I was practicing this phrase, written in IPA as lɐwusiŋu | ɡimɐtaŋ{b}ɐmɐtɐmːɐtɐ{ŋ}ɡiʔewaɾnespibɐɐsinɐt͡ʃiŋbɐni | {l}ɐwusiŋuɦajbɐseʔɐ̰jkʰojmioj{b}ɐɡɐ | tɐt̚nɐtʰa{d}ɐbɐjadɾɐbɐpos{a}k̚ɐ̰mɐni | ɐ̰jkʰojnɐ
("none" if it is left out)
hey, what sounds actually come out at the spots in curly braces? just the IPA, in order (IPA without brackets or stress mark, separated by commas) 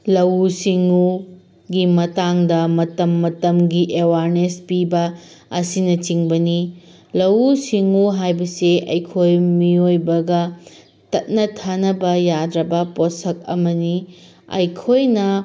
d, m, l, b, n, ɐ